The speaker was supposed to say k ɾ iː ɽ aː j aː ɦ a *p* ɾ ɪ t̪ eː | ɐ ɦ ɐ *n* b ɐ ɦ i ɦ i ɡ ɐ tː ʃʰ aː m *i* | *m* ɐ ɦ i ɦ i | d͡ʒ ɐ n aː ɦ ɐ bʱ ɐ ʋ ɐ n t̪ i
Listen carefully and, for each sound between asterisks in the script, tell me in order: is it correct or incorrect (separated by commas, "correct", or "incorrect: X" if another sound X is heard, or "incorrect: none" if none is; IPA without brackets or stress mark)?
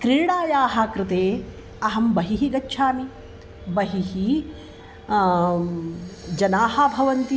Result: incorrect: k, incorrect: m, correct, incorrect: b